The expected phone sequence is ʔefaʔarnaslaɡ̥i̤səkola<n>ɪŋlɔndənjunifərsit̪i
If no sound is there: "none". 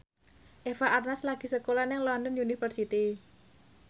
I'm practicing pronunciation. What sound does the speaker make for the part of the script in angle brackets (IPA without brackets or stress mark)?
n